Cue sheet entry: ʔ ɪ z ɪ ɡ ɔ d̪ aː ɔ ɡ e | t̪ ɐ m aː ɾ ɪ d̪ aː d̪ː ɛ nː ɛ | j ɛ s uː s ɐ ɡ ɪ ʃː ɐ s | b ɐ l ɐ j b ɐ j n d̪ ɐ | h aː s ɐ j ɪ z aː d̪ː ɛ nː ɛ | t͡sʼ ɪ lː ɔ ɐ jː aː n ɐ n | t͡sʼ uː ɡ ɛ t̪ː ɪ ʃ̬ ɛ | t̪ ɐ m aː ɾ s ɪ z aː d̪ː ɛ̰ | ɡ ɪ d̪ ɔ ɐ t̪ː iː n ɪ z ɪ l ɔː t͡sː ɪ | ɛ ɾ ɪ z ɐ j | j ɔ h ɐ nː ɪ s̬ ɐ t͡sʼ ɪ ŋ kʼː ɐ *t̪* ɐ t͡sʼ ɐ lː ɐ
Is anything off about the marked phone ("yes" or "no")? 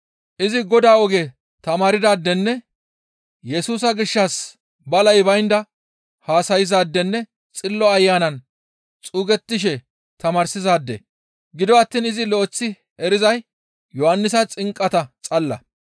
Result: no